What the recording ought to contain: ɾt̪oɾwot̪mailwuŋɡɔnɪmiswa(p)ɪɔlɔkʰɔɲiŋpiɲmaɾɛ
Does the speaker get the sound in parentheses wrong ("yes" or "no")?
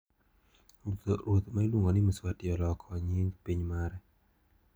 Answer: yes